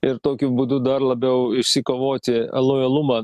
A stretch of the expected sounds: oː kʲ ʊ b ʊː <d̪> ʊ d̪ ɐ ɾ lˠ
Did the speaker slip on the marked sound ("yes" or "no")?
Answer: no